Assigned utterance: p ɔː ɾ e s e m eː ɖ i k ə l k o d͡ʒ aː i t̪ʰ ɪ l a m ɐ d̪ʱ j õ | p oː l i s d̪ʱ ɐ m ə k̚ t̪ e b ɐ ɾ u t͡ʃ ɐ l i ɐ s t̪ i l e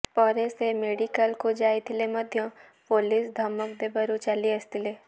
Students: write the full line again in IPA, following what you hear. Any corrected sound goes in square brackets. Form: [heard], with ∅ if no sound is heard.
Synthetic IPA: p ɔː ɾ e s e m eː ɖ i k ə l k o d͡ʒ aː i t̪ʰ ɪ l [e] m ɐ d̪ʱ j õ | p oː l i s d̪ʱ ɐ m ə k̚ [d̪] e b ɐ ɾ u t͡ʃ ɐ l i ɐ s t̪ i l e